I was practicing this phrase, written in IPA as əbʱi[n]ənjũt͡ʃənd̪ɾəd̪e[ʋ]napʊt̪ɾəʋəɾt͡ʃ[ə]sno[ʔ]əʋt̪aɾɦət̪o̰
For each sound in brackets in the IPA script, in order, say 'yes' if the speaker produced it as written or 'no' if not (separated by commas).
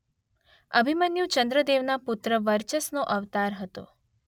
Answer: no, yes, yes, yes